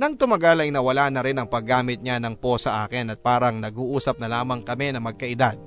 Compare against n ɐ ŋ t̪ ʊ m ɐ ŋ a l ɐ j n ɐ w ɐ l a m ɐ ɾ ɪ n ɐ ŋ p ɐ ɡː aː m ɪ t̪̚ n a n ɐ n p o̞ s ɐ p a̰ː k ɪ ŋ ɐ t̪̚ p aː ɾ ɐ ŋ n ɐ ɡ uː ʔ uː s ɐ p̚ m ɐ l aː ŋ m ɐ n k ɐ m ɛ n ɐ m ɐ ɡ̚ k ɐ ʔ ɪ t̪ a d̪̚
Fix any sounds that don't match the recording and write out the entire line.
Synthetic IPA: n ɐ ŋ t̪ ʊ m ɐ ɡ a l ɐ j n ɐ w ɐ l a n ɐ ɾ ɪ n ɐ ŋ p ɐ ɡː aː m ɪ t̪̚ ɲ a n ɐ ŋ p o̞ s ɐ ʔ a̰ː k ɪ n ɐ t̪̚ p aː ɾ ɐ ŋ n ɐ ɡ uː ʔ uː s ɐ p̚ n ɐ l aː m ɐ ŋ k ɐ m ɛ n ɐ m ɐ ɡ̚ k ɐ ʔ ɪ d̪ a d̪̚